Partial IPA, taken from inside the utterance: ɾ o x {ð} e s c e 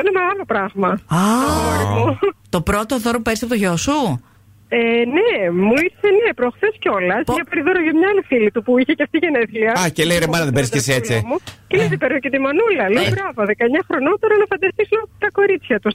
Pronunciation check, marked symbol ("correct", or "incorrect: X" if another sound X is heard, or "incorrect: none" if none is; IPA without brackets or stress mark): incorrect: θ